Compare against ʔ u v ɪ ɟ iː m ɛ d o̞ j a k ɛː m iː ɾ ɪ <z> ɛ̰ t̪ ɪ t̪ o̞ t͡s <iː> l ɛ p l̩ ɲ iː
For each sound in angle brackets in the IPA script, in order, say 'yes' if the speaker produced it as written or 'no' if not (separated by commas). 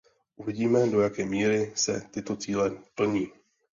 no, yes